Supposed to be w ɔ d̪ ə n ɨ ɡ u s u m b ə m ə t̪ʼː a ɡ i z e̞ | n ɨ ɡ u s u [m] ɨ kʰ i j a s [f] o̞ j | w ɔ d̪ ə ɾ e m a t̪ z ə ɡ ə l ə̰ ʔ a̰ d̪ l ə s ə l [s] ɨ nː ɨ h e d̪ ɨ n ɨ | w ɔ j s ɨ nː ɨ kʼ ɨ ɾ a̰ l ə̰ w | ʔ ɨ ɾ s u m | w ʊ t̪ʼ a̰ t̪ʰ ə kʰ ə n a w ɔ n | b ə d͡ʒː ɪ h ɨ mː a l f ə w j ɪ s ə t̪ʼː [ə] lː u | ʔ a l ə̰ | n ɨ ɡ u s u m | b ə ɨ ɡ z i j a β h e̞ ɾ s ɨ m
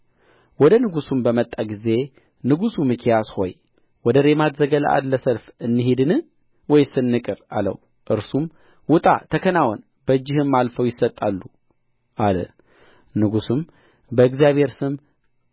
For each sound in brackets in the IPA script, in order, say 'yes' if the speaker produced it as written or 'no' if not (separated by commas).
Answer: yes, no, no, no